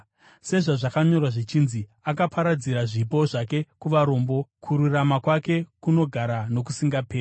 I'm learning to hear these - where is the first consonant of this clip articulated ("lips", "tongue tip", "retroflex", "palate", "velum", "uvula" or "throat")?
tongue tip